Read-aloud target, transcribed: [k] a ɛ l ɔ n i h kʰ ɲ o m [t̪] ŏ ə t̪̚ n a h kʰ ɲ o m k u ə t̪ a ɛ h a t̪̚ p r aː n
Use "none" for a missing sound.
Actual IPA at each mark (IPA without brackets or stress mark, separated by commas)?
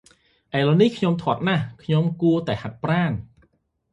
ʔ, t̪ʰ